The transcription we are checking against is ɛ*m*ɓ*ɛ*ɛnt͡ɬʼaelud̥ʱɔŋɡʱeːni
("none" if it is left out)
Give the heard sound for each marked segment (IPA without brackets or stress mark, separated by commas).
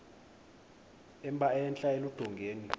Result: m, a